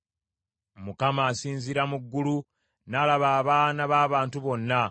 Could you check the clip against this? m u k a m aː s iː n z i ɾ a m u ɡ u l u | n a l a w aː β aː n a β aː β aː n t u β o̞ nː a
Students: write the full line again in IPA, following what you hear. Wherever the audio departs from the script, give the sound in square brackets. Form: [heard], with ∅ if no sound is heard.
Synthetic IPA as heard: m u k a m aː s iː n z i ɾ a m u [ɡː] u l u | n a l a [β] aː β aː n a β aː β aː n t u β o̞ nː a